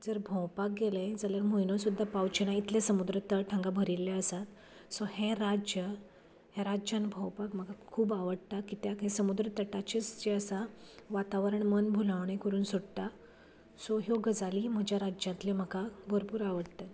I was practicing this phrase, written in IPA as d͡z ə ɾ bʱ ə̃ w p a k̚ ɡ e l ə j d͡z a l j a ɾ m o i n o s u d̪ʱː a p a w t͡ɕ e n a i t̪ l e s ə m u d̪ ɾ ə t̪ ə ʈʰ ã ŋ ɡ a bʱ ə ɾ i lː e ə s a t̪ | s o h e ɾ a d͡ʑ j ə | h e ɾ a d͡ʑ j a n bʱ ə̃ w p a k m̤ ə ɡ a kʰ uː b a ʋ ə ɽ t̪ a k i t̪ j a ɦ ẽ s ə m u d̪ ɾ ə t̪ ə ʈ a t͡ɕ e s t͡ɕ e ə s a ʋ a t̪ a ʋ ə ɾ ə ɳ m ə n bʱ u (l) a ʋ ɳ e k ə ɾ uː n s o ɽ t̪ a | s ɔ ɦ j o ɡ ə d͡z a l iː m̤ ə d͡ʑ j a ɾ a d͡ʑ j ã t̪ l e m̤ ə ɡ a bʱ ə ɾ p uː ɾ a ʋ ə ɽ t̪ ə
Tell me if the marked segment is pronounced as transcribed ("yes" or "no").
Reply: yes